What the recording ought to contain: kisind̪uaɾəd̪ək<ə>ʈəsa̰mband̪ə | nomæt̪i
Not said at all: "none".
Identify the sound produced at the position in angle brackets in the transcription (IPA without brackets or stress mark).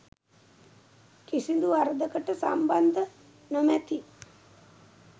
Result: ə